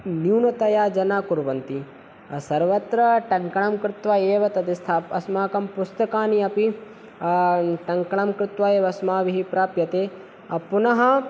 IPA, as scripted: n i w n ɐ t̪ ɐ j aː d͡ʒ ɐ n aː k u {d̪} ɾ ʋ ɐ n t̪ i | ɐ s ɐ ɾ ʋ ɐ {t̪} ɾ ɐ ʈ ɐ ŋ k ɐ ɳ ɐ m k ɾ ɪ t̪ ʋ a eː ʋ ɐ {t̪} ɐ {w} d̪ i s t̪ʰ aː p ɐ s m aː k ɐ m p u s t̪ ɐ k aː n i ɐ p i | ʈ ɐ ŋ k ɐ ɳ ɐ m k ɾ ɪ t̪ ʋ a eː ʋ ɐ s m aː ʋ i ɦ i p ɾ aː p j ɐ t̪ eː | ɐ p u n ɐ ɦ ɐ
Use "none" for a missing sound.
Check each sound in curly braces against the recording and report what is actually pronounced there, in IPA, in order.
none, t̪, t̪, none

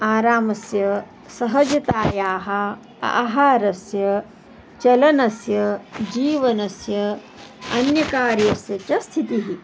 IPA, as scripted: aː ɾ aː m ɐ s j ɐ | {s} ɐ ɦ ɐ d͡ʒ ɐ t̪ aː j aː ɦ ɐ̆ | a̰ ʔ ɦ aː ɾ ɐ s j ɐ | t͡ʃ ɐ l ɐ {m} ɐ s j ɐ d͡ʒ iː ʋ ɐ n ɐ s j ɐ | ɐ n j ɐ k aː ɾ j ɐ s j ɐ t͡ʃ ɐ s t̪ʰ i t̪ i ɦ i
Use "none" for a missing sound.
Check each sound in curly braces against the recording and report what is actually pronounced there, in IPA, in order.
s, n

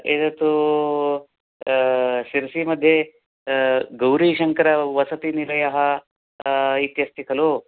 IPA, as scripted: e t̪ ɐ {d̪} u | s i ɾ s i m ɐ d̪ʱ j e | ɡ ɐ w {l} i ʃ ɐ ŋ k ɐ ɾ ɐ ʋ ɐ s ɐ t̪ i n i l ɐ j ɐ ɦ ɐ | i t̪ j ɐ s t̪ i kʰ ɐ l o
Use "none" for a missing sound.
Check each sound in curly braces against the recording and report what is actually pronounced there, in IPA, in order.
t̪, ɾ

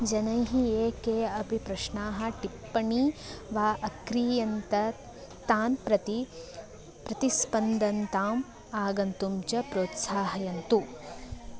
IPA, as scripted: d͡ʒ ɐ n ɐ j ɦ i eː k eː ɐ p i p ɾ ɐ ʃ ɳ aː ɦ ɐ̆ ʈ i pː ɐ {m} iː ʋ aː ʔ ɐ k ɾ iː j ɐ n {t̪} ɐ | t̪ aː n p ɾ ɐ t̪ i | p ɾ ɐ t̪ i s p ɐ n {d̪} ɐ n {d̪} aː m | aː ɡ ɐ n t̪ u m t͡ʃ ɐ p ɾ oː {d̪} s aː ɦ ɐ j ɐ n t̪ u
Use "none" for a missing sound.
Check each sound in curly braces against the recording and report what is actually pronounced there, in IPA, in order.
ɳ, t̪, d̪, t̪, t̪

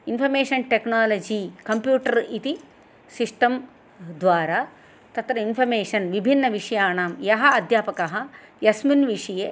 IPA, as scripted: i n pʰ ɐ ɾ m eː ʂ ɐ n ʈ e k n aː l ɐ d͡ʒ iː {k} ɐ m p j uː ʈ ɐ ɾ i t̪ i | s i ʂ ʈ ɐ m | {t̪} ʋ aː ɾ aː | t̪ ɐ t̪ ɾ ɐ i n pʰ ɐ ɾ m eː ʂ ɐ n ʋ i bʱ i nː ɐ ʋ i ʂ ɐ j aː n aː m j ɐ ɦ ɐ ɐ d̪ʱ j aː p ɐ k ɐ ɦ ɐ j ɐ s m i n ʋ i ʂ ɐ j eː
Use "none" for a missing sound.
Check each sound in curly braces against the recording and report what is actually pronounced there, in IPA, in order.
k, d̪

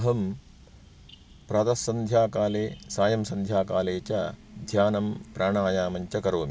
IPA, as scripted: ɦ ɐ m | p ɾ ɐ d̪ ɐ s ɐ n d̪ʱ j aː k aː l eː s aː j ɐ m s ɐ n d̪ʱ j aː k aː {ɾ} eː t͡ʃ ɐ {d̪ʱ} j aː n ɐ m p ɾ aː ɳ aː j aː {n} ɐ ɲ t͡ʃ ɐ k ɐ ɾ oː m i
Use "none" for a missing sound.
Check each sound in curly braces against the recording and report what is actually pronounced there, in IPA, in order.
l, d̪ʱ, m

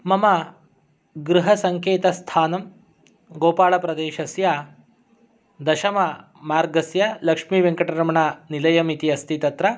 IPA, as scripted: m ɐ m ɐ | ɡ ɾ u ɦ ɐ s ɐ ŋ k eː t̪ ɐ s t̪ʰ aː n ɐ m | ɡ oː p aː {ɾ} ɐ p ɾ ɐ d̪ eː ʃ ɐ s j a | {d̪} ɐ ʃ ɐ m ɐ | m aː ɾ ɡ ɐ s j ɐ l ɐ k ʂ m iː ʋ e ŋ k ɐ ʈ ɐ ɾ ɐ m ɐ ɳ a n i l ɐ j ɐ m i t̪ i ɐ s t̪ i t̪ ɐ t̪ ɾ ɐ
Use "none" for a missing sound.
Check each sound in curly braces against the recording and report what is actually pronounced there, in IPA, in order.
ɭ, d̪

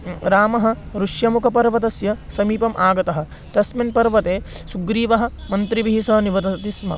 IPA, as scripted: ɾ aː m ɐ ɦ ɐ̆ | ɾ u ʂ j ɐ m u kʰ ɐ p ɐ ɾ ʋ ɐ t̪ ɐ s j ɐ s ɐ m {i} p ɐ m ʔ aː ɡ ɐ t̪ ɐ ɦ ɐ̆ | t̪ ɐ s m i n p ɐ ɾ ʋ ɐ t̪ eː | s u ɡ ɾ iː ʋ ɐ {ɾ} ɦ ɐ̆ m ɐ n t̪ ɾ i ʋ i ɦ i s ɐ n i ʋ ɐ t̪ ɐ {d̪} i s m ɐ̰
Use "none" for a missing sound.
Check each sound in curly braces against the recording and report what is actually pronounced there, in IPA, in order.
iː, none, t̪

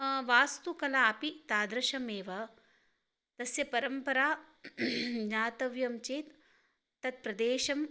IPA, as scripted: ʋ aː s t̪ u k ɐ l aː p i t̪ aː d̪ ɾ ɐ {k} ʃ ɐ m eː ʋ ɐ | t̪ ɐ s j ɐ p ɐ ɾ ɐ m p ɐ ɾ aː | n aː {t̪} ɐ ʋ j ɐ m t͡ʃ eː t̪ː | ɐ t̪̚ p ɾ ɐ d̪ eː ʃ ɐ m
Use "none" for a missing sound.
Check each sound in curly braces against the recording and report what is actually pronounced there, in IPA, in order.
none, t̪

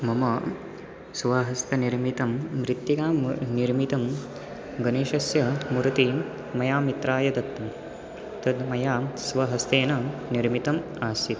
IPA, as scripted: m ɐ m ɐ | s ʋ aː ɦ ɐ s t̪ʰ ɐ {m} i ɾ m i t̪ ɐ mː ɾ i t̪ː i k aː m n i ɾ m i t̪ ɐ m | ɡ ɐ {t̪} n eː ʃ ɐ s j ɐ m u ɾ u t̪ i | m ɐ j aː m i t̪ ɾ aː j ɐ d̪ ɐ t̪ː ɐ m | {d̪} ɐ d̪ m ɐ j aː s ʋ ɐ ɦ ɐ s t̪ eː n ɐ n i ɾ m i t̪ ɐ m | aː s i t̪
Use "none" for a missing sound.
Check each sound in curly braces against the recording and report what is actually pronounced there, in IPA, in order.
n, none, t̪

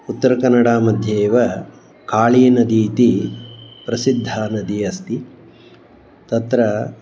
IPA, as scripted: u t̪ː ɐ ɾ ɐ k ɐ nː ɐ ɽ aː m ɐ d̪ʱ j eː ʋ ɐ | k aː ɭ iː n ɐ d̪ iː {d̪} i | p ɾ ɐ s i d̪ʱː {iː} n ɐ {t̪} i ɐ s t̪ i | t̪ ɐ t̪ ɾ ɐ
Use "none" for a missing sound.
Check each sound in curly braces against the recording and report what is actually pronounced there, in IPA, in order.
t̪, aː, d̪

